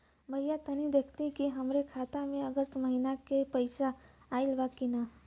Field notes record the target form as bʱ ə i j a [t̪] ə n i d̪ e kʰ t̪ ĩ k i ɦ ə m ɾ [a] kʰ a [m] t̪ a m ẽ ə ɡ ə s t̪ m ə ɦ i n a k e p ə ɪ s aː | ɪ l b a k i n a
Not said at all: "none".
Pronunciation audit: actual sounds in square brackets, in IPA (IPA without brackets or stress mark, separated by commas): t̪, e, none